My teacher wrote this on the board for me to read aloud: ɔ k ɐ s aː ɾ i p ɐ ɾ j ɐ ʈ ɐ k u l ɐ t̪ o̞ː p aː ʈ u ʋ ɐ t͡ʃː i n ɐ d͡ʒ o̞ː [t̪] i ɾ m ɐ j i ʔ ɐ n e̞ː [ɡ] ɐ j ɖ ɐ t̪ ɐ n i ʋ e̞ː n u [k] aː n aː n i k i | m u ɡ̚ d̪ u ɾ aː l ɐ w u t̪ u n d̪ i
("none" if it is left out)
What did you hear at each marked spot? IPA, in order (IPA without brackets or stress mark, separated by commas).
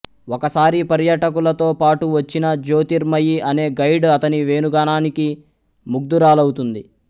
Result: t̪, ɡ, ɡ